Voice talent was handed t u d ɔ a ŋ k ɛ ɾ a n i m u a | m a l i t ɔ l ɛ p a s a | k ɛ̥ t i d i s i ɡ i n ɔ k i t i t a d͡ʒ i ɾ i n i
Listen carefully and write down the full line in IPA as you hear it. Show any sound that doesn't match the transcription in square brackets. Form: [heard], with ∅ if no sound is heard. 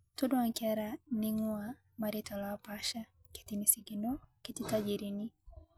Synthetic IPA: t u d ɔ a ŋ k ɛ ɾ a n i [ŋ] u a | m a [ɾ] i t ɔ l [a] p a [ʃ] a | k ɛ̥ t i [n] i s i ɡ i n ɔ k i t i t a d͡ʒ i ɾ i n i

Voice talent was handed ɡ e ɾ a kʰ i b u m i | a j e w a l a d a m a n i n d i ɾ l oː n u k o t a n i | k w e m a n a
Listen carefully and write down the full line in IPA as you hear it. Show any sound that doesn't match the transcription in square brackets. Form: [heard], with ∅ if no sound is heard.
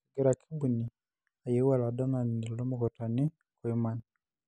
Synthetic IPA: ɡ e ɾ a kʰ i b u [n] i | a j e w a l a d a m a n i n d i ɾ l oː [m] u k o t a n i | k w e m a n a

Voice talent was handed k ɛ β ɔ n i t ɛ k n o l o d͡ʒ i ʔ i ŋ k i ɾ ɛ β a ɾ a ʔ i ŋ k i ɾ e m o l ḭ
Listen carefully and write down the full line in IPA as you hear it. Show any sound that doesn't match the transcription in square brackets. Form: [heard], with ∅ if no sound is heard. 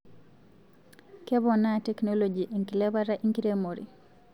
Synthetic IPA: k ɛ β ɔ n [a] t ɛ k n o l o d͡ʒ i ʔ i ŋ k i [l] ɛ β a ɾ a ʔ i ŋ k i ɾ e m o [ɾ] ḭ

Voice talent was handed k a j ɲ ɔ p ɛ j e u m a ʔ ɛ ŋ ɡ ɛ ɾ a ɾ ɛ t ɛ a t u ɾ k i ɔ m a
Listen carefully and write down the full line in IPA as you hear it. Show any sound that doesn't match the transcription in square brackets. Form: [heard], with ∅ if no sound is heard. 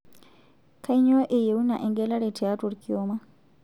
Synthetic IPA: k a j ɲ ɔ [ʔ] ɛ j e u [n] a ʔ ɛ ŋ ɡ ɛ [l] a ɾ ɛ t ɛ a t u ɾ k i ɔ m a

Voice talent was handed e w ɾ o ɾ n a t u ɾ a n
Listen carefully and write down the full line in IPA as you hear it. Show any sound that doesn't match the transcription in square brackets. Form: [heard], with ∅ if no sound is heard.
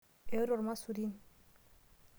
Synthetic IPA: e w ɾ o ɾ [m] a [s] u ɾ [i] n

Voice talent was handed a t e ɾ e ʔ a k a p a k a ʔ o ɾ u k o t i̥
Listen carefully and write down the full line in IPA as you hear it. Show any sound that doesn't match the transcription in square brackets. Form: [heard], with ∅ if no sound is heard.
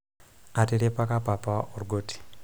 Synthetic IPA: a t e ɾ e [p] a k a p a [p] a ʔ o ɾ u [ɡ] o t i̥

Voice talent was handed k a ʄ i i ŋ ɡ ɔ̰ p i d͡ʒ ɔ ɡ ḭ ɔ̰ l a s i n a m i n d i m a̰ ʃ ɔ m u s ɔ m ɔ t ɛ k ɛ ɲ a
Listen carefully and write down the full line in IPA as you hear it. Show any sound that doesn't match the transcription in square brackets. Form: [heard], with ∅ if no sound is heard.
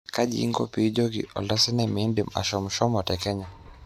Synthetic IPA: k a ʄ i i ŋ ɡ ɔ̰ p i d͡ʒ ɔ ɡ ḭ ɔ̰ l a s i n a m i n d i m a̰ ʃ ɔ m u [ʃ] ɔ m ɔ t ɛ k ɛ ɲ a

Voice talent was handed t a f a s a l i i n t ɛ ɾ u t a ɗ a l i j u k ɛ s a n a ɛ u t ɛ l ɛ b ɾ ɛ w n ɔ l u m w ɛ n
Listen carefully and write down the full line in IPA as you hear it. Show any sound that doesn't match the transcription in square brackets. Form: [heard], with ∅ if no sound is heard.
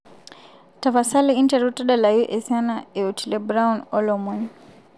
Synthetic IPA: t a f a s a l i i n t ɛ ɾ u t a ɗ a l [a] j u [ʔ] ɛ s a n a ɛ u t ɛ l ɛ b ɾ [a] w n ɔ l [ɔ] m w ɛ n

